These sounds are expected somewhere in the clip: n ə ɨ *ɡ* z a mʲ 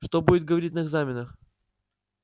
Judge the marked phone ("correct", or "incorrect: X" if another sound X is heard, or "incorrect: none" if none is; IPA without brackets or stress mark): correct